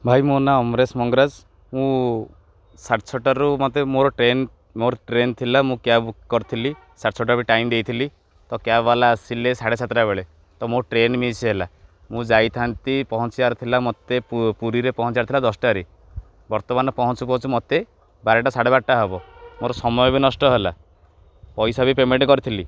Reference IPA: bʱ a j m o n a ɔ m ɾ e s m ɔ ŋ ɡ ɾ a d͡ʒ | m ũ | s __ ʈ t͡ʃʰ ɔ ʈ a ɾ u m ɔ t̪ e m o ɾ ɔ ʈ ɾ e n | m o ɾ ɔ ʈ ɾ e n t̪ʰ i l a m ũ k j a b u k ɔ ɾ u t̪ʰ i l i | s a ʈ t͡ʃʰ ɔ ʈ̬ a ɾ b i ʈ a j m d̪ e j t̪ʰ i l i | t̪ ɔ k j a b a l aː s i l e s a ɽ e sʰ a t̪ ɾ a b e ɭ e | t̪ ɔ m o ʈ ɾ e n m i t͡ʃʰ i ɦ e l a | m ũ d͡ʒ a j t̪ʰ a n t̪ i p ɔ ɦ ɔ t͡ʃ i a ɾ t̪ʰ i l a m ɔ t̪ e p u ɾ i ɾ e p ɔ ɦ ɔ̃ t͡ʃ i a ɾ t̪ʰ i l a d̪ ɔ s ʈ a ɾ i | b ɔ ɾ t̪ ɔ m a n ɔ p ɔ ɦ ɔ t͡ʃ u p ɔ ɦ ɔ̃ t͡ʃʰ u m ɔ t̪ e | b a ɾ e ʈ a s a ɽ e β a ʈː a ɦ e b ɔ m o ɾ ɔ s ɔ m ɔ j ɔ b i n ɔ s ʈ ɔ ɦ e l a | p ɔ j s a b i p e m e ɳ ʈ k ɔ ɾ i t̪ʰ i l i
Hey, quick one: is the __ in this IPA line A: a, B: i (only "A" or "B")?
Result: A